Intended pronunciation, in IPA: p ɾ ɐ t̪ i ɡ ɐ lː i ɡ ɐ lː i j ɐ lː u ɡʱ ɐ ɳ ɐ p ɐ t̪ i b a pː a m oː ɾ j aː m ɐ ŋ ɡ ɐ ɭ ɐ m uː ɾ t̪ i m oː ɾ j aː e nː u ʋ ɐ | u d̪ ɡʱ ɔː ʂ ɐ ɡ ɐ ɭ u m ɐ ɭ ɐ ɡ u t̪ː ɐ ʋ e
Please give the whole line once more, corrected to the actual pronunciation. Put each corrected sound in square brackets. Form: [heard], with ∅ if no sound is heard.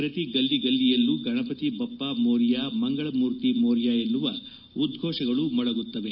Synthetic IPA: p ɾ ɐ t̪ i ɡ ɐ lː i ɡ ɐ lː i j ɐ lː u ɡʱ ɐ ɳ ɐ p ɐ t̪ i b [ɐ] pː a m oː ɾ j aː m ɐ ŋ ɡ ɐ ɭ ɐ m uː ɾ t̪ i m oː ɾ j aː e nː u ʋ ɐ | u d̪ ɡʱ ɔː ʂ ɐ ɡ ɐ ɭ u m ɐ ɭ ɐ ɡ u t̪ː ɐ ʋ e

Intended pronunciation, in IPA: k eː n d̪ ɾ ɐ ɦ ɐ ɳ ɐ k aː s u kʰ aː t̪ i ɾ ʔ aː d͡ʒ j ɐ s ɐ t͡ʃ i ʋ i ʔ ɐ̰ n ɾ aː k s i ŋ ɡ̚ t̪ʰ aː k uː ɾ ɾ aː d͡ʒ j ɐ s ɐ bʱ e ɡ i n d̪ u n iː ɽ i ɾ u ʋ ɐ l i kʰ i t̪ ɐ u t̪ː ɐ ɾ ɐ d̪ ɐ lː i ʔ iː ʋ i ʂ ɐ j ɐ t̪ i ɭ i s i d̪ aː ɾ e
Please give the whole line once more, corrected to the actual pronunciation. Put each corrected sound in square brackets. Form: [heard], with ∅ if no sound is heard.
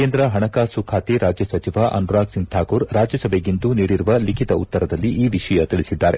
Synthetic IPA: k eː n d̪ ɾ ɐ ɦ ɐ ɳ ɐ k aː s u kʰ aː t̪ i ɾ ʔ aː d͡ʒ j ɐ s ɐ t͡ʃ i ʋ [a] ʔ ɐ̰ n ɾ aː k s i ŋ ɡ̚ t̪ʰ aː k uː ɾ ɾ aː d͡ʒ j ɐ s ɐ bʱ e ɡ i n d̪ u n iː ɽ i ɾ u ʋ ɐ l i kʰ i t̪ ɐ u t̪ː ɐ ɾ ɐ d̪ ɐ lː i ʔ iː ʋ i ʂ ɐ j ɐ t̪ i ɭ i s i [d̪ː] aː ɾ e

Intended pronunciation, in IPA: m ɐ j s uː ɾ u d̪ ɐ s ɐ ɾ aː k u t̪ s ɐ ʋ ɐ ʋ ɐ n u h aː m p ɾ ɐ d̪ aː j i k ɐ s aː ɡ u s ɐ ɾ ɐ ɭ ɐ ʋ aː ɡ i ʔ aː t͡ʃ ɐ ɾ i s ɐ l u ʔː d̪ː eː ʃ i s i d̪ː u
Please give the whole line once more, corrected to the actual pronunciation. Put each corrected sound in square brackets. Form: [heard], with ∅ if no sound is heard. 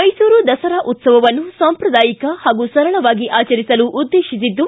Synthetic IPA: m ɐ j s uː ɾ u d̪ ɐ s ɐ ɾ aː [ʔ] u t̪ s ɐ ʋ ɐ ʋ ɐ [nː] u [s] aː m p ɾ ɐ d̪ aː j i k ɐ [h] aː ɡ u s ɐ ɾ ɐ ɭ ɐ ʋ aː ɡ i ʔ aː t͡ʃ ɐ ɾ i s ɐ l u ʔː d̪ː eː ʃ i s i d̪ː u

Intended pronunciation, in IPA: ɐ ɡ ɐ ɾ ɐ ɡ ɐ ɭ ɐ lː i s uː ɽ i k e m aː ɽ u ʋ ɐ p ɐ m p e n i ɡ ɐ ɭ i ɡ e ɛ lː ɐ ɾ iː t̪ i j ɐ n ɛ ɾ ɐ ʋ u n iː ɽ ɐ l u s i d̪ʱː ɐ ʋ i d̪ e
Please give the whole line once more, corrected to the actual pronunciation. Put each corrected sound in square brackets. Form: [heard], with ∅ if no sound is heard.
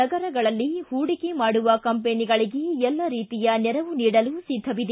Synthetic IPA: ɐ ɡ ɐ ɾ ɐ ɡ ɐ ɭ ɐ lː i [h] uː ɽ i k e m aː ɽ u ʋ ɐ [k] ɐ m p e n i ɡ ɐ ɭ i ɡ e ɛ lː ɐ ɾ iː t̪ i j ɐ n ɛ ɾ ɐ ʋ u n iː ɽ ɐ l u s i d̪ʱː ɐ ʋ i d̪ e

